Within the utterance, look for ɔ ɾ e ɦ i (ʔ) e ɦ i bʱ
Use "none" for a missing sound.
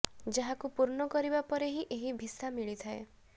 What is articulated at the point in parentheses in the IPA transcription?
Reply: ʔ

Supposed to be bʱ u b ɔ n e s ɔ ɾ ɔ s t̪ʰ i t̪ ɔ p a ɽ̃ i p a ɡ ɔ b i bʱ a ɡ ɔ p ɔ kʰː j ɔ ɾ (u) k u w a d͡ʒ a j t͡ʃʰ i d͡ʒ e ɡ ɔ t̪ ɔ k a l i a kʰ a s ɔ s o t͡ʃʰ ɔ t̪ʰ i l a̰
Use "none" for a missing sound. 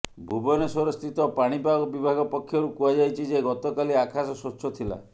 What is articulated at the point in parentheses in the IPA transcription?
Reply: u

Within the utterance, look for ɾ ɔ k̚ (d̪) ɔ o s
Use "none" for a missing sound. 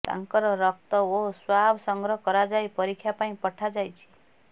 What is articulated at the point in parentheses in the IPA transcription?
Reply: t̪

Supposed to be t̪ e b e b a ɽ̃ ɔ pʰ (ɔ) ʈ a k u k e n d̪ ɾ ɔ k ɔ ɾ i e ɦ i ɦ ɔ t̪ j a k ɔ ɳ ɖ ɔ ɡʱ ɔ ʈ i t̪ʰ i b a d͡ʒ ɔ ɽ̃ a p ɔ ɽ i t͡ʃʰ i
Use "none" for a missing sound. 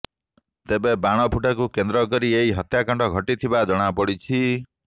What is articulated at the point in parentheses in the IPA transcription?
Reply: u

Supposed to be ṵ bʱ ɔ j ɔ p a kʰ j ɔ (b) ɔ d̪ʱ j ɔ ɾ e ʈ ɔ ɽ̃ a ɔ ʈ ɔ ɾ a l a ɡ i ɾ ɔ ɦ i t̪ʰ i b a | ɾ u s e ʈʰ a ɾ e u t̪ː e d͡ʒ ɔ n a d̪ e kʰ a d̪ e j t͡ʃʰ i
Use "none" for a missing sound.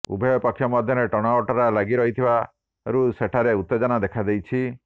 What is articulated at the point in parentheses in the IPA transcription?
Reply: m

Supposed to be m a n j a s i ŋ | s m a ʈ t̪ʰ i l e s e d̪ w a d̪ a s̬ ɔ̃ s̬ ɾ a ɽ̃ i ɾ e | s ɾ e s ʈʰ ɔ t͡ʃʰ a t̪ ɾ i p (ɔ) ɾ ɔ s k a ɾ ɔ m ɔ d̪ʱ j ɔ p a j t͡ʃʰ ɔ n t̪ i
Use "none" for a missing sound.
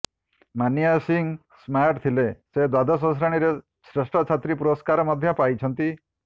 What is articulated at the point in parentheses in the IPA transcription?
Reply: u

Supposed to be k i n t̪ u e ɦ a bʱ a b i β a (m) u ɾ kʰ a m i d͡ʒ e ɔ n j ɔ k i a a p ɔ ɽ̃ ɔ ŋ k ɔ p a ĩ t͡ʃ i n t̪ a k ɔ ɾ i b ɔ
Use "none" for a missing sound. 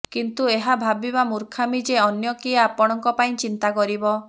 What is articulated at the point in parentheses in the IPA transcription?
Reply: m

